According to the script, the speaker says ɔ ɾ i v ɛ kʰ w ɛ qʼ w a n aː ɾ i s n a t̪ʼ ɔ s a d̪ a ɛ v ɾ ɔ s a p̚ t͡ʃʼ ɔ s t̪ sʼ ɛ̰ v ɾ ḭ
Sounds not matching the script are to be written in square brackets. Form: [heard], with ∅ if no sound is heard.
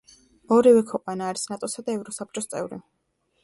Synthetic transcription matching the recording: ɔ ɾ i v ɛ kʰ w ɛ qʼ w a n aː ɾ i s n a t̪ʼ ɔ s a d̪ a ɛ v ɾ ɔ s a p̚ t͡ʃʼ ɔ s t̪ sʼ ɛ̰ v ɾ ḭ